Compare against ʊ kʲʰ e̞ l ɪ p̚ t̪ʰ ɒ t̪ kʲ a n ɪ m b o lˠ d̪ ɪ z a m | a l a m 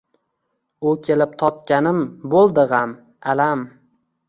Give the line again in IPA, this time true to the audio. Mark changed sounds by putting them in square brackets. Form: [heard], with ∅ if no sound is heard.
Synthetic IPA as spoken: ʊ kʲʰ e̞ l ɪ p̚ t̪ʰ ɒ t̪ kʲ a n ɪ m b o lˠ d̪ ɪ [ʁ] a m | a l a m